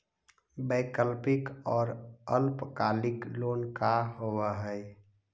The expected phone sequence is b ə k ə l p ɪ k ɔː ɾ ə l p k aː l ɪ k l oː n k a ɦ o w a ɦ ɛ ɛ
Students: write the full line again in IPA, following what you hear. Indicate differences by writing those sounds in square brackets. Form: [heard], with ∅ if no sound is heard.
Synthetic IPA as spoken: b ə k ə l p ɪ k ɔː ɾ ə l p k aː l ɪ k l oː n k a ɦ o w a ɦ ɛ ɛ